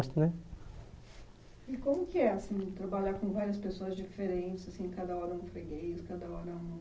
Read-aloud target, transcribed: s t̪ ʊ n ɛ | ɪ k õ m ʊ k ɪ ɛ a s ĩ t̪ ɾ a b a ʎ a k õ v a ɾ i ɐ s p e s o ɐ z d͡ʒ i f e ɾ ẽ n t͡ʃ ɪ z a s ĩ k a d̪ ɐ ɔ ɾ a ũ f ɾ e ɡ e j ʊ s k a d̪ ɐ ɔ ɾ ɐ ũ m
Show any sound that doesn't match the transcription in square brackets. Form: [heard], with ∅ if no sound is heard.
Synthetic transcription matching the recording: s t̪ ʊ n ɛ | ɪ k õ m ʊ k ɪ ɛ a s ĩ t̪ ɾ a b a ʎ a k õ v a ɾ i ɐ s p e s o ɐ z d͡ʒ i f e ɾ ẽ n t͡ʃ ɪ z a s ĩ k a d̪ ɐ ɔ ɾ [ɐ] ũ f ɾ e ɡ e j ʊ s k a d̪ ɐ ɔ ɾ ɐ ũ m